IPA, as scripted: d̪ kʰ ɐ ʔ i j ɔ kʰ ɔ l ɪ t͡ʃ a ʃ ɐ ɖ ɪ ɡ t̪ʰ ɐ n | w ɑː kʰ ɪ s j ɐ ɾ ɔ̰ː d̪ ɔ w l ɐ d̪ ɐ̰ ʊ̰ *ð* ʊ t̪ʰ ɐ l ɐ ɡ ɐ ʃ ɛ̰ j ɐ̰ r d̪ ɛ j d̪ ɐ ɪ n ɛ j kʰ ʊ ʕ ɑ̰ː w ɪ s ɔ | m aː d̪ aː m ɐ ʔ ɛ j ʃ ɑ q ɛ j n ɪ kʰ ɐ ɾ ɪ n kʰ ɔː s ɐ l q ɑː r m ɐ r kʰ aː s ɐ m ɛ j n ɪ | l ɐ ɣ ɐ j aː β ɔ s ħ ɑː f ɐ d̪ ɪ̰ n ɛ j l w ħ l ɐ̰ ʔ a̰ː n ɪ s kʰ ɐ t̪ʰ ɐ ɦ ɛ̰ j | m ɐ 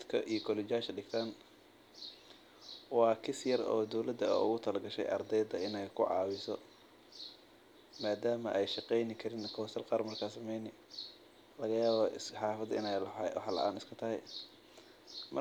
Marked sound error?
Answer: yes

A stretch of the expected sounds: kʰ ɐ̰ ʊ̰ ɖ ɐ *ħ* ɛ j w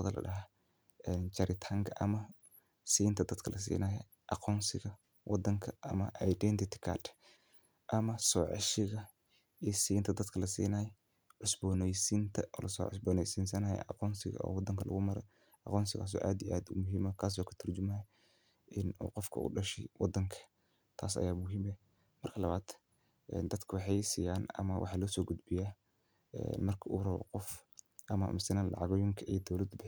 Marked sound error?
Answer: yes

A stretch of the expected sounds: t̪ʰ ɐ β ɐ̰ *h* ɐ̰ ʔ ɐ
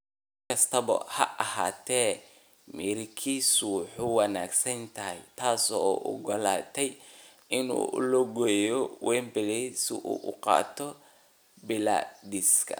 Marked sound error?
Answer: no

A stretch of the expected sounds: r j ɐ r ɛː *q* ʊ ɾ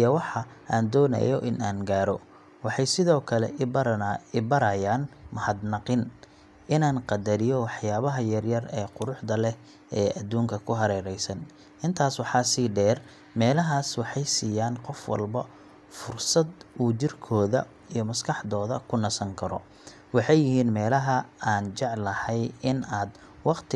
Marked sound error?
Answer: no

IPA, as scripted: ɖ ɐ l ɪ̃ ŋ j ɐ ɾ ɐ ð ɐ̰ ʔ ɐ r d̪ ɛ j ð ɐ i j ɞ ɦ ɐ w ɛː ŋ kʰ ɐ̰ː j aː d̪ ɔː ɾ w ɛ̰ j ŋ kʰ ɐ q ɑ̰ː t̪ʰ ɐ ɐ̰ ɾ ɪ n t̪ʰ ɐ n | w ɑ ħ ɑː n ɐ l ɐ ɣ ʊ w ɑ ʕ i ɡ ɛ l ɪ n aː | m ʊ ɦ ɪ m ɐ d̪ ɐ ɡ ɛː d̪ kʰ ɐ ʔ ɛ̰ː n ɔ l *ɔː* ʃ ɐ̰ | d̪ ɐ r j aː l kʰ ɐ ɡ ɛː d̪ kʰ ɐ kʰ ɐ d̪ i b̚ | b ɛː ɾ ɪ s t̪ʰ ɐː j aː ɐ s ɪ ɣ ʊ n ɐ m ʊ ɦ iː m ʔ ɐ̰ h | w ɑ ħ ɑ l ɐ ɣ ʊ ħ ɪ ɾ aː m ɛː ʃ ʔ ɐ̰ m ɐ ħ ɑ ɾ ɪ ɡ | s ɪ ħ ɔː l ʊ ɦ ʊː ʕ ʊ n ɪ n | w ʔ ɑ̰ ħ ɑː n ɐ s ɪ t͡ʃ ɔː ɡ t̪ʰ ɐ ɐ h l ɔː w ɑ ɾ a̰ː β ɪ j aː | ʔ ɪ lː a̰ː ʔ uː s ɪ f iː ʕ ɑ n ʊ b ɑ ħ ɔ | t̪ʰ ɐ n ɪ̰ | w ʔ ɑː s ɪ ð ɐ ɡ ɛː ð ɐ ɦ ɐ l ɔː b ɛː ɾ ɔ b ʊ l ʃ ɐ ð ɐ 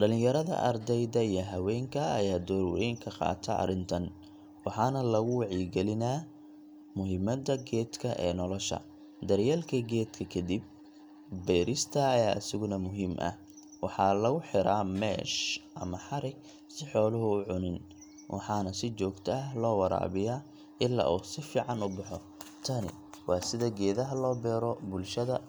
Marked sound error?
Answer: yes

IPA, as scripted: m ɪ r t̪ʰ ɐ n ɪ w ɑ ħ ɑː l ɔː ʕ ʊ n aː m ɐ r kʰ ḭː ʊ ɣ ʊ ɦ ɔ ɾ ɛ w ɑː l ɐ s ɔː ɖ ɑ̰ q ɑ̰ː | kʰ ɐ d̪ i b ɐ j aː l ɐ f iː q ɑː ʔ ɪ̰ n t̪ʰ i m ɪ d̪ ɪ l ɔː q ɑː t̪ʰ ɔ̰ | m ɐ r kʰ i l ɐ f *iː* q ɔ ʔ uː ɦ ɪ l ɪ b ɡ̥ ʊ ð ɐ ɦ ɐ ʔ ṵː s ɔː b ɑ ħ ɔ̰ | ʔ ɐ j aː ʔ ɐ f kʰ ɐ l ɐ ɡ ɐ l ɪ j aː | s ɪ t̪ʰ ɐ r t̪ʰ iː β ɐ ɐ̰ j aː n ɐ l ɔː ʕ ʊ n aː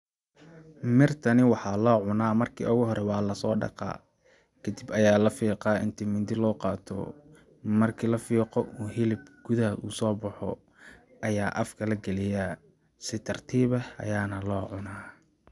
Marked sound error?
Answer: no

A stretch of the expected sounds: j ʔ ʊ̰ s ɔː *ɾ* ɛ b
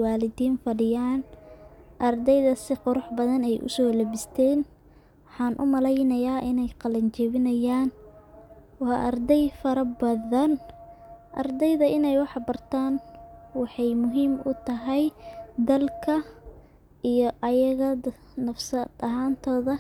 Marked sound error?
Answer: yes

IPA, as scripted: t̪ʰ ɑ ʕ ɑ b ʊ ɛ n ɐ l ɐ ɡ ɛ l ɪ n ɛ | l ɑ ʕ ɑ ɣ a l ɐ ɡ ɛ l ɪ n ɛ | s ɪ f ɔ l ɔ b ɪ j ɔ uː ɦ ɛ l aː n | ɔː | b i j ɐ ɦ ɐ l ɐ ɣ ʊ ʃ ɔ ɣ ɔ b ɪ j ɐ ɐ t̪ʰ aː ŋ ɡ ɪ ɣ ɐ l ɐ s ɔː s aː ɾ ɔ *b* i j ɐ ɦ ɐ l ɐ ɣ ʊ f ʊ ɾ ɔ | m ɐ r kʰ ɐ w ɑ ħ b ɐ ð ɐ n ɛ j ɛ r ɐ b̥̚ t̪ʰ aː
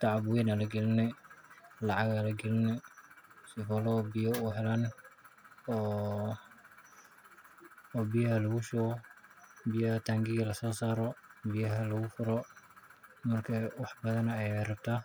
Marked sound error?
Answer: no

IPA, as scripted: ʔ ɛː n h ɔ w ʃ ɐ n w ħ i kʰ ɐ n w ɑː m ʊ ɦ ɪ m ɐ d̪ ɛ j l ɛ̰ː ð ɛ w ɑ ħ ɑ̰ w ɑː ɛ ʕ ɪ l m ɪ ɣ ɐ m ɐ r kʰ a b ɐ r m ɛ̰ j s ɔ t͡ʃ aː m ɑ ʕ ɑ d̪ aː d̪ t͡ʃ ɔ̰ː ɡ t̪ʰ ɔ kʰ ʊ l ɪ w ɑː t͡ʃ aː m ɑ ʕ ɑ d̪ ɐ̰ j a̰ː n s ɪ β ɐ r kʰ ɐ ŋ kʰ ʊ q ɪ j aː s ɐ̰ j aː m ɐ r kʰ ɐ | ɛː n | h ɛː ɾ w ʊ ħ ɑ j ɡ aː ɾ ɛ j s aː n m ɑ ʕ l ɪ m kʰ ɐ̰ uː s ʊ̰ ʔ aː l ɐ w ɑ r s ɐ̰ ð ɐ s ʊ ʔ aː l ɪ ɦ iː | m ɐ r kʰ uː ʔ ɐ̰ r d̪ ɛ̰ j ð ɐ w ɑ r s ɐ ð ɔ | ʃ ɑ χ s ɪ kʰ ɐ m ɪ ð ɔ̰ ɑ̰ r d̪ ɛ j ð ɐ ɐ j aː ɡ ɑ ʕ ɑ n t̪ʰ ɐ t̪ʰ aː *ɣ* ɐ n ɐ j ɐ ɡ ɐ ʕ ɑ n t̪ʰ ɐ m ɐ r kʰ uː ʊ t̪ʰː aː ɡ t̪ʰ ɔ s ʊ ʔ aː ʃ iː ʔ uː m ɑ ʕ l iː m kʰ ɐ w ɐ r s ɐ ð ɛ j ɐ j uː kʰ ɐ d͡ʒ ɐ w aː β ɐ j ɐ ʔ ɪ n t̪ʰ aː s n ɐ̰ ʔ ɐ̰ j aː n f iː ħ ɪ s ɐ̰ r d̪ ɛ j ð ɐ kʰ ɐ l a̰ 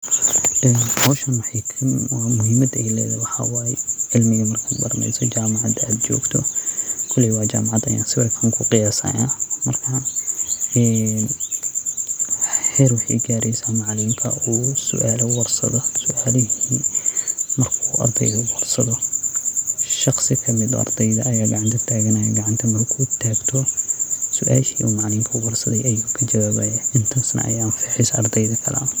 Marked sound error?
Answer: no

